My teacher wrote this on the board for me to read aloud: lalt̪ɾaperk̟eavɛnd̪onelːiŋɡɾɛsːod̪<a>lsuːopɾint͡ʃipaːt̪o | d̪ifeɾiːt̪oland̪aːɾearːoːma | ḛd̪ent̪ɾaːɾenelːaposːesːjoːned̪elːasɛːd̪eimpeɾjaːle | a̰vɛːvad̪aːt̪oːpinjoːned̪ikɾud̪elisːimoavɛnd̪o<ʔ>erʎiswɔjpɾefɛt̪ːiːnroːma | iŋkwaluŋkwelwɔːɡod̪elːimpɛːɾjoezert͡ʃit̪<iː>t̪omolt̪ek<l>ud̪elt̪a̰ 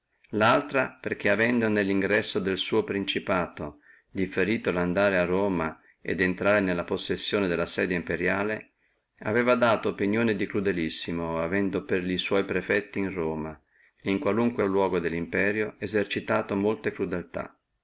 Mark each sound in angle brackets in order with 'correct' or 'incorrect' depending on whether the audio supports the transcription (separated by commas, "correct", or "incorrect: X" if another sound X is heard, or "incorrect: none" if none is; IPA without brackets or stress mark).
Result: incorrect: e, incorrect: p, incorrect: aː, incorrect: ɾ